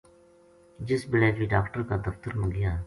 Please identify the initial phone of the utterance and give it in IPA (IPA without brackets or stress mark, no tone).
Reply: d͡ʒ